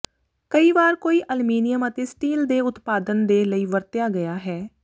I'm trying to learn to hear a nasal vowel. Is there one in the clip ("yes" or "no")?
no